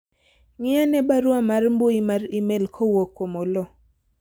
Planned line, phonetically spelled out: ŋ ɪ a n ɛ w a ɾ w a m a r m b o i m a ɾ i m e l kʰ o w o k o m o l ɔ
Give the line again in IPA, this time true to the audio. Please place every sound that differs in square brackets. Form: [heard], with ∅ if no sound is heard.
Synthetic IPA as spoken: ŋ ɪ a n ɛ [b] a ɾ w a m a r m b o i m a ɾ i m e l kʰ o w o k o m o l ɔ